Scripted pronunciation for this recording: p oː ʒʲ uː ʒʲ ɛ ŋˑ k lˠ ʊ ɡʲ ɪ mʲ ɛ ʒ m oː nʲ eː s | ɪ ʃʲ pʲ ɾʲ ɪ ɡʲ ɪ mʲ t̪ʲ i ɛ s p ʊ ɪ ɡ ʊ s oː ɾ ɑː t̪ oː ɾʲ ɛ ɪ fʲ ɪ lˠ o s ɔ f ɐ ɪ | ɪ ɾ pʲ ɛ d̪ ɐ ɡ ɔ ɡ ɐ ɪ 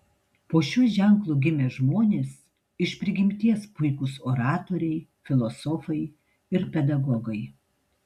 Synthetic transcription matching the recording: p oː ʃʲ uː ʒʲ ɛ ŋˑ k lˠ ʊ ɡʲ ɪ mʲ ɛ ʒ m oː nʲ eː s | ɪ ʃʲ pʲ ɾʲ ɪ ɡʲ ɪ mʲ t̪ʲ i ɛ s p ʊ ɪ k ʊ s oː ɾ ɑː t̪ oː ɾʲ ɛ ɪ fʲ ɪ lˠ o s ɔ f ɐ ɪ | ɪ ɾ pʲ ɛ d̪ ɐ ɡ ɔ ɡ ɐ ɪ